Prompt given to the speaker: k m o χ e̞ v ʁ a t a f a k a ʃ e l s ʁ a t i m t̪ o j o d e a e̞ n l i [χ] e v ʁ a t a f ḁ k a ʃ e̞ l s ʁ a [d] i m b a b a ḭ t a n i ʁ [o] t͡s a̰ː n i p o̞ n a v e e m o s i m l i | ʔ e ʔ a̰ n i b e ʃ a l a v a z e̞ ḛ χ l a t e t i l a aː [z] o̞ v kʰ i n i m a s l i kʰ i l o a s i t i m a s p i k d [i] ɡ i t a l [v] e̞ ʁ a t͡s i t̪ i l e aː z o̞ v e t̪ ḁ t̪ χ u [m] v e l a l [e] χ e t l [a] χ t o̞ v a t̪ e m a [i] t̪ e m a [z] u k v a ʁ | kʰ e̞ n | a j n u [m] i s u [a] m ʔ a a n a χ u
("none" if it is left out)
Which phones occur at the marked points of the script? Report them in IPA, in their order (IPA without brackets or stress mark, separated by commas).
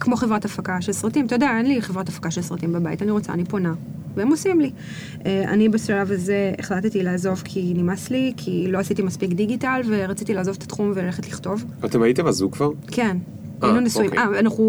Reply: χ, t, o, z, i, v, m, e, i, i, z, n, i